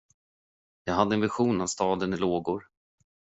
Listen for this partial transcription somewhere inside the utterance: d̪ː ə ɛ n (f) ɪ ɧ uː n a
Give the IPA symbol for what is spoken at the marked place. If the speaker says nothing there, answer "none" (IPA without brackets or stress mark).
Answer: v